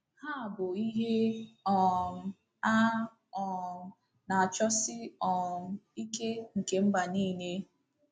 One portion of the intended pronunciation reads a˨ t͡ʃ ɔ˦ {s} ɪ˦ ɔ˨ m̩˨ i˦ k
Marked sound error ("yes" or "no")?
no